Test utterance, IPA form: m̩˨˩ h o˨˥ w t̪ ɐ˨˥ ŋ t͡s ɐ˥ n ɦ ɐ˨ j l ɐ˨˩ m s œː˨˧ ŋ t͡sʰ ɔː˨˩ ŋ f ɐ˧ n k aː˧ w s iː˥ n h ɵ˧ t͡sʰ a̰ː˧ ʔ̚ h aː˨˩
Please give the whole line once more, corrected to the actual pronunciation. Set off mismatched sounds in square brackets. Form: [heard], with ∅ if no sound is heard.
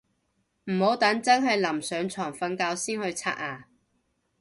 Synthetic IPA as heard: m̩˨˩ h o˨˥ w t̪ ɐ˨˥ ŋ t͡s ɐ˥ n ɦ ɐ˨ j l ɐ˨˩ m s œː˨˧ ŋ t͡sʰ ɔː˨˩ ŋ f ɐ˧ n k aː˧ w s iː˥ n h ɵ˧ t͡sʰ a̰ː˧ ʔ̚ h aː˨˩